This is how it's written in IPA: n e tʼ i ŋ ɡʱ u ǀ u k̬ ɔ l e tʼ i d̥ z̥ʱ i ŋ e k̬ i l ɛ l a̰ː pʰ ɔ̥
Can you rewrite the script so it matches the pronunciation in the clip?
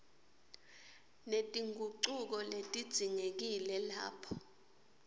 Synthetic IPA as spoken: n e tʼ i ŋ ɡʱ u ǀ u k̬ ɔ l e tʼ i d̥ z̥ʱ i ŋ e k̬ i l ɛ l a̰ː pʰ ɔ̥

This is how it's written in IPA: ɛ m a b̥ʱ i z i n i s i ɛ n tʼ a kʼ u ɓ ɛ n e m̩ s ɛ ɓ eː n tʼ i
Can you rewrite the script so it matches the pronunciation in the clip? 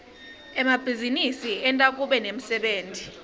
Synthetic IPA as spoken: ɛ m a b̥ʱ i z i n i s i ɛ n tʼ a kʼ u ɓ ɛ n e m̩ s ɛ ɓ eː n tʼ i

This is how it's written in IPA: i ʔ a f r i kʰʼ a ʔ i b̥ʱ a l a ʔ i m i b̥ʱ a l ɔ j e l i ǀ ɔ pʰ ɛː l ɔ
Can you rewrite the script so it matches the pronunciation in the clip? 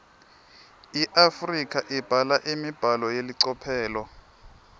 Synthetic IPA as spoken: i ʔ a f r i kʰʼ a ʔ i b̥ʱ a l a ʔ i m i b̥ʱ a l ɔ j e l i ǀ ɔ pʰ ɛː l ɔ

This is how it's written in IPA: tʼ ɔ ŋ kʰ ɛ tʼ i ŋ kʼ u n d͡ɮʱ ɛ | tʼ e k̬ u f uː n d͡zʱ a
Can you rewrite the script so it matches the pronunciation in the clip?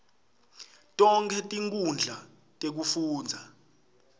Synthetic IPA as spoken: tʼ ɔ ŋ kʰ ɛ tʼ i ŋ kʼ u n d͡ɮʱ a | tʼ e k̬ u f uː n d͡zʱ a

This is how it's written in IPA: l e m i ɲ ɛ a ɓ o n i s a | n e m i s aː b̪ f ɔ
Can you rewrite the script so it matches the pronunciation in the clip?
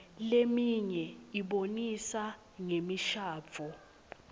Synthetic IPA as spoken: l e m i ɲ ɛ i ɓ o n i s a | ŋ e m i ʃ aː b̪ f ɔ

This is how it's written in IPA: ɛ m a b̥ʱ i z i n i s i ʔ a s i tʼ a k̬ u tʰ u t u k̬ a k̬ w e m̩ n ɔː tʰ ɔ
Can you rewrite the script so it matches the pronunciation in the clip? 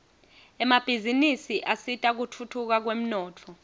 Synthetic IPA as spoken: ɛ m a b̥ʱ i z i n i s i ʔ a s i tʼ a k̬ u tʰ u tʰ u k̬ a k̬ w e m̩ n ɔː tʰ ɔ

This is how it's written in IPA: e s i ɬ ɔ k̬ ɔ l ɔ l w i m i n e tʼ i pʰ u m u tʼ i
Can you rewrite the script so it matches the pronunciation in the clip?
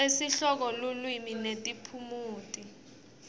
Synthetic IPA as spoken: e s i ɬ ɔ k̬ ɔ l u l w i m i n e tʼ i pʰ u m uː tʼ i

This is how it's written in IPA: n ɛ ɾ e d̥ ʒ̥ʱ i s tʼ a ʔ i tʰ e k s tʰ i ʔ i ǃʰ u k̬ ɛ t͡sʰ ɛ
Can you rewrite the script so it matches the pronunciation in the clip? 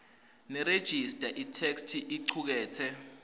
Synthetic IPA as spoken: n ɛ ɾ e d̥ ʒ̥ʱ i s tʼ a ʔ i tʰ e k s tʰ i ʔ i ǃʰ u k̬ ɛː t͡sʰ ɛ

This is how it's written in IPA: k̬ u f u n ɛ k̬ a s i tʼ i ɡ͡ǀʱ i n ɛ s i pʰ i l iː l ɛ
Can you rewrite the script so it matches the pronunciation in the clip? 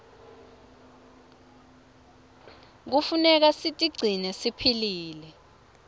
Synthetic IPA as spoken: k̬ u f u n ɛ k̬ a s i tʼ i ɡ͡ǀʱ i n ɛ s i pʰ i l iː l ɛ

